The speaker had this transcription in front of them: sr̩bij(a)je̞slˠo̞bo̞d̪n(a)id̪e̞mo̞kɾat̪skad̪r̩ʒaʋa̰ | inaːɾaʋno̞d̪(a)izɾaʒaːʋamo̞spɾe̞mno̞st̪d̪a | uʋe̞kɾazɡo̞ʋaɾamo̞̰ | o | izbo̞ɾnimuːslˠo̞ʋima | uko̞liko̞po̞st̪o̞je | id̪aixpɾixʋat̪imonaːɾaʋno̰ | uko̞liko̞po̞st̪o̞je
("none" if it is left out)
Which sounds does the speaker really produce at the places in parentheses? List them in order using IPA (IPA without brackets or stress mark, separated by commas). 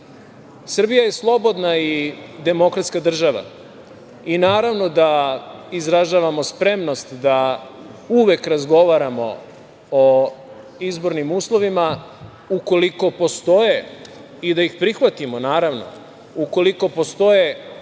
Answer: a, a, a